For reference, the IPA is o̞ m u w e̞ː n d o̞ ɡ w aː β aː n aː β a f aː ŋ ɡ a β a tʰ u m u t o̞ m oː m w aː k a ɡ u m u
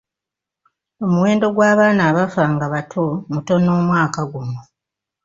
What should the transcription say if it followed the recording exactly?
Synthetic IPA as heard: o̞ m u w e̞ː n d o̞ ɡ w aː β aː n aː β a f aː ŋ ɡ a β a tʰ o m u t o̞ n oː m w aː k a ɡ u m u